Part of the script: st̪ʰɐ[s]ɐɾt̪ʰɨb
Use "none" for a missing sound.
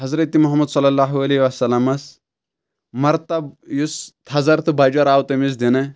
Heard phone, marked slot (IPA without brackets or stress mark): z